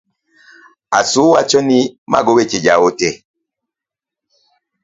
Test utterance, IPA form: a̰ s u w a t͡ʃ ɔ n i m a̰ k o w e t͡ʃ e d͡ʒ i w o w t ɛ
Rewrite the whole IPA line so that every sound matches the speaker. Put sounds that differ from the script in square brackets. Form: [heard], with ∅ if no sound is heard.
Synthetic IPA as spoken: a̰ s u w a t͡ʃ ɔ n i m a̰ [ɡ] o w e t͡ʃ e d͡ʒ [a] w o [∅] t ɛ